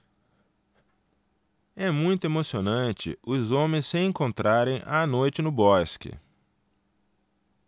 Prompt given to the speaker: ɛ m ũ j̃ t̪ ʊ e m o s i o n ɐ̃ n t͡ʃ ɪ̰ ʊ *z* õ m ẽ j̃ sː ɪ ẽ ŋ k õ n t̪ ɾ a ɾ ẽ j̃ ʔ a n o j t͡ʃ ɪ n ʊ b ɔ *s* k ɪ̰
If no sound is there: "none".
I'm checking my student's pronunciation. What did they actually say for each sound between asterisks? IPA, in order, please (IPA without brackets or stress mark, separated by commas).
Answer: z, s